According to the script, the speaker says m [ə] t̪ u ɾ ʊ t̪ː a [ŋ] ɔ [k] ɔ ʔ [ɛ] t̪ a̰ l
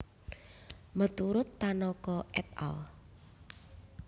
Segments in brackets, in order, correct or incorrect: correct, incorrect, correct, correct

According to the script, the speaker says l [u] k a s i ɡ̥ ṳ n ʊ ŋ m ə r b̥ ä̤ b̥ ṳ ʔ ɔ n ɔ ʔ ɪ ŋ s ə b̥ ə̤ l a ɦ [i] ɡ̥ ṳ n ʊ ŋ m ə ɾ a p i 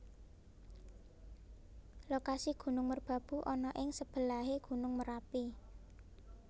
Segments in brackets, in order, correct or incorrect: incorrect, incorrect

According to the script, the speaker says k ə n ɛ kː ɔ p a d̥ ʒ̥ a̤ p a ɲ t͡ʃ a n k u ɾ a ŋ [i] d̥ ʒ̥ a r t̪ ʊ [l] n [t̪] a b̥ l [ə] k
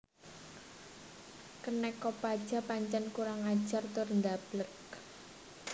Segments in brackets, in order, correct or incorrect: incorrect, incorrect, incorrect, correct

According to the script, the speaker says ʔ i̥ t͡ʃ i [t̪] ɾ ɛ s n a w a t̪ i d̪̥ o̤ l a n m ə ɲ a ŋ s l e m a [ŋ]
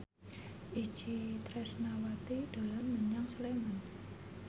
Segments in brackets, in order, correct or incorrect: correct, incorrect

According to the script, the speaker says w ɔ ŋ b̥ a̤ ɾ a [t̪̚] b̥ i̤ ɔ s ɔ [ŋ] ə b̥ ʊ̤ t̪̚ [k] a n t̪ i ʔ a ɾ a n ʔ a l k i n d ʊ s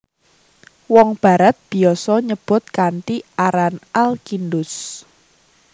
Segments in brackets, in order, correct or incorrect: correct, incorrect, correct

